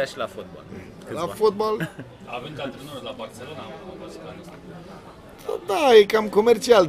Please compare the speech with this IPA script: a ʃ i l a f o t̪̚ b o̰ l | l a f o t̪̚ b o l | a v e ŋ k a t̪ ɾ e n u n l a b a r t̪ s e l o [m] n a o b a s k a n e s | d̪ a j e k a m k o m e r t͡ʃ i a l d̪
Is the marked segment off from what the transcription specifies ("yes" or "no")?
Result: yes